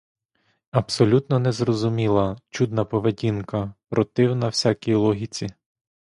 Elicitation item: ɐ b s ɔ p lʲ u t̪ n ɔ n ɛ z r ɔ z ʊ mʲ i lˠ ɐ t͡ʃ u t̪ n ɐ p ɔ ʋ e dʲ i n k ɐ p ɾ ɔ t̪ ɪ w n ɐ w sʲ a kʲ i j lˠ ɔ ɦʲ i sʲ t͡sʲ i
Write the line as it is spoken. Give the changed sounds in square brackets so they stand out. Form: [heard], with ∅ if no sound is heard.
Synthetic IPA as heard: ɐ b s ɔ [∅] lʲ u t̪ n ɔ n ɛ z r ɔ z ʊ mʲ i lˠ ɐ t͡ʃ u [d̪] n ɐ p ɔ ʋ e dʲ i n k ɐ p ɾ ɔ t̪ ɪ w n ɐ w sʲ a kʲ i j lˠ ɔ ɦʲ i [∅] t͡sʲ i